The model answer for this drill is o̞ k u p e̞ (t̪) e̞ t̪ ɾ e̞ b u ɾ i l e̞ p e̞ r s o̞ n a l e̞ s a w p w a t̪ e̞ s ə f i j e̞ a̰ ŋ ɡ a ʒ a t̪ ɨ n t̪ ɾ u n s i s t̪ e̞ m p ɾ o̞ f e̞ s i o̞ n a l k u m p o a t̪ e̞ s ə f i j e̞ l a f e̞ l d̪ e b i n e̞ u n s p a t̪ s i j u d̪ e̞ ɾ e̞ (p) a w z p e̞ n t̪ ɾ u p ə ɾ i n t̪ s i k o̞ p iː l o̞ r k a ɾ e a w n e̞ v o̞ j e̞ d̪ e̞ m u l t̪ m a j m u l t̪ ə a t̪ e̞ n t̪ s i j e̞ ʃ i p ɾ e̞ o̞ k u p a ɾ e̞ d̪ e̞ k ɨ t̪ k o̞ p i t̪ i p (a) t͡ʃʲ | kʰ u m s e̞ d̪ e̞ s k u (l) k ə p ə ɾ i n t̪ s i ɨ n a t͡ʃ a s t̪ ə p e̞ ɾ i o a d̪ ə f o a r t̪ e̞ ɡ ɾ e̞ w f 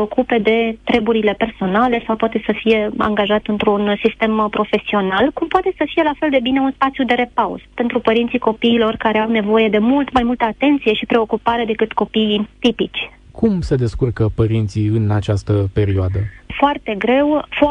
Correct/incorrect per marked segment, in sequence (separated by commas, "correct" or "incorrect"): incorrect, correct, incorrect, incorrect